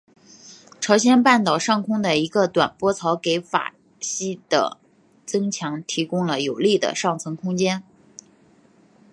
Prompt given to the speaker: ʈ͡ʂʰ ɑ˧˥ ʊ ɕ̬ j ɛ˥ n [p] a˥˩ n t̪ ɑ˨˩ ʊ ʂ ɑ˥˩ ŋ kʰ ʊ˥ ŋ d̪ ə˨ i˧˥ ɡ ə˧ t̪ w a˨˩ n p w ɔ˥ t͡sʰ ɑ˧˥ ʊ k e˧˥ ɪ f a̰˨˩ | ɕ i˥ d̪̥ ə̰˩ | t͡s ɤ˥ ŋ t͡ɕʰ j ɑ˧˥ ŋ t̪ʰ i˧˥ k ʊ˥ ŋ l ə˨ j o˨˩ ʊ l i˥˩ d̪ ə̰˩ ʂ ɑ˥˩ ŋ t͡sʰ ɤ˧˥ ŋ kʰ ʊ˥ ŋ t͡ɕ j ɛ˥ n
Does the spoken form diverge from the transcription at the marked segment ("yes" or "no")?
no